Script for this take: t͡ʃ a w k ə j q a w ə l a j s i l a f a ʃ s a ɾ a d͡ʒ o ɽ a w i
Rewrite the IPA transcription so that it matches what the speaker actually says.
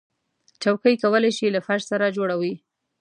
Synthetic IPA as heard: t͡ʃ a w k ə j k a w ə l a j ʃ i l a f a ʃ s a ɾ a d͡ʒ o ɽ a w i